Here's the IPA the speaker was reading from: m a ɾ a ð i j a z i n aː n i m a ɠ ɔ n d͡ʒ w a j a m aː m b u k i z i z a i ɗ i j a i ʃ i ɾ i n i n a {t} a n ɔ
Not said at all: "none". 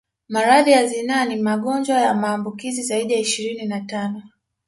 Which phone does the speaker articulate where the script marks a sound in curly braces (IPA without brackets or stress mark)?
t